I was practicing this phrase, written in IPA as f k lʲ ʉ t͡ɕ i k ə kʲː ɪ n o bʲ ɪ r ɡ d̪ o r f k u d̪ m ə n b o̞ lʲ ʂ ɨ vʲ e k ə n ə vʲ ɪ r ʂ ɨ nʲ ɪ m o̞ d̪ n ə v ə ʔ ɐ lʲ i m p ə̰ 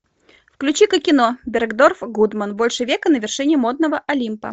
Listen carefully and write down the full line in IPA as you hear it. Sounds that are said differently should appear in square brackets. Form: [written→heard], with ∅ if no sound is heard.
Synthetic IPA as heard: f k lʲ ʉ t͡ɕ i k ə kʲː ɪ n o bʲ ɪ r ɡ d̪ o r f [k→ɡ] u d̪ m ə n b o̞ lʲ ʂ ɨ vʲ e k ə n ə vʲ ɪ r ʂ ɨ nʲ ɪ m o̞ d̪ n ə v ə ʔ ɐ lʲ i m p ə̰